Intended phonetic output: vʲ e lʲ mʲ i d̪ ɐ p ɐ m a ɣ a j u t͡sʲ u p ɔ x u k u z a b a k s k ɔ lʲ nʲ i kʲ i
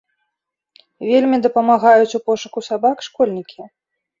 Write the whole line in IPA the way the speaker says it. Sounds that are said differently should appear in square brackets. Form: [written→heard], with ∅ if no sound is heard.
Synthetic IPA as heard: vʲ e lʲ mʲ i d̪ ɐ p ɐ m a ɣ a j u t͡sʲ u p ɔ [x→ʂ] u k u [z→s] a b a k [s→ʂ] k ɔ lʲ nʲ i kʲ i

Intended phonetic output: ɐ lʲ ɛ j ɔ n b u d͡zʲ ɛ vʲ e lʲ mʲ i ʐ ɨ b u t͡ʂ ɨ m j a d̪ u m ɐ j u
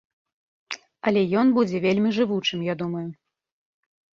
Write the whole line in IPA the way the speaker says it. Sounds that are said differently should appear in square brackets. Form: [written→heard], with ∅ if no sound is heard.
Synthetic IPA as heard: ɐ lʲ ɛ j ɔ n b u d͡zʲ ɛ vʲ e lʲ mʲ i ʐ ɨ [b→v] u t͡ʂ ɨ m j a d̪ u m ɐ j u

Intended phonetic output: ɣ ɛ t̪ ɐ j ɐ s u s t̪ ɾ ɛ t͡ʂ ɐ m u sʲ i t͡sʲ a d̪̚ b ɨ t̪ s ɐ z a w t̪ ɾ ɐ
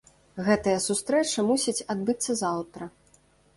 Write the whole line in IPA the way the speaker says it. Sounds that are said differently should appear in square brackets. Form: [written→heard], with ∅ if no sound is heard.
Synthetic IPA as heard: ɣ ɛ t̪ ɐ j ɐ s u s t̪ ɾ ɛ t͡ʂ ɐ m u sʲ i t͡sʲ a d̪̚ b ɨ t̪ [s→sː] ɐ z a w t̪ ɾ ɐ

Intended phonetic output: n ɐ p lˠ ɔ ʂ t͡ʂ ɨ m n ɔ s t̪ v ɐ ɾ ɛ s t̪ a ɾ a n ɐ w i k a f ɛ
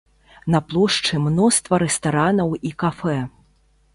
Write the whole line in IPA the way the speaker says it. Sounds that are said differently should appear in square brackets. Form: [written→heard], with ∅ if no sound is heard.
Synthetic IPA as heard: n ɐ p lˠ ɔ ʂ t͡ʂ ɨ m n ɔ s t̪ v ɐ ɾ ɛ s t̪ a ɾ a n ɐ w i k a f ɛ

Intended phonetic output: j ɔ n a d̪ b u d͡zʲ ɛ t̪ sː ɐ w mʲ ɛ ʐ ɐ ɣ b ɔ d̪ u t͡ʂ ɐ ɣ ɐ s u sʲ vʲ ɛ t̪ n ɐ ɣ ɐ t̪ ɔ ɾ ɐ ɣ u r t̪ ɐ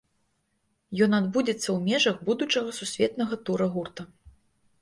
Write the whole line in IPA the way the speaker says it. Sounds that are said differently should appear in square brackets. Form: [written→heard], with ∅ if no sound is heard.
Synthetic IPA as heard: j ɔ n a d̪ b u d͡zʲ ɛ t̪ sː ɐ w mʲ ɛ ʐ ɐ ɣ b [ɔ→u] d̪ u t͡ʂ ɐ ɣ ɐ s u sʲ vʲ ɛ t̪ n ɐ ɣ ɐ t̪ [ɔ→u] ɾ ɐ ɣ u r t̪ ɐ

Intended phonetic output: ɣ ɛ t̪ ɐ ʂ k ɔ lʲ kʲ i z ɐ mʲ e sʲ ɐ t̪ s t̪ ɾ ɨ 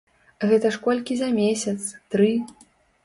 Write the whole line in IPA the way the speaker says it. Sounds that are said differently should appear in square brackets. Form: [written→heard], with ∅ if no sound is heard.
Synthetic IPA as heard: ɣ ɛ t̪ ɐ ʂ k ɔ lʲ kʲ i z ɐ mʲ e sʲ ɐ t̪ s t̪ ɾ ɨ

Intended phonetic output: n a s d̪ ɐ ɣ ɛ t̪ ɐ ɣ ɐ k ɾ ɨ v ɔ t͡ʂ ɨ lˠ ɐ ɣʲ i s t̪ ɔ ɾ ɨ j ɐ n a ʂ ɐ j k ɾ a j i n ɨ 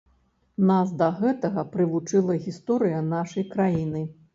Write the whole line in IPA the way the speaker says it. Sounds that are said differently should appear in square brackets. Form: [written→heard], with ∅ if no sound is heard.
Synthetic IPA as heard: n a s d̪ ɐ ɣ ɛ t̪ ɐ ɣ ɐ [k→p] ɾ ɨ v [ɔ→u] t͡ʂ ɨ lˠ ɐ ɣʲ i s t̪ ɔ ɾ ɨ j ɐ n a ʂ ɐ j k ɾ a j i n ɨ

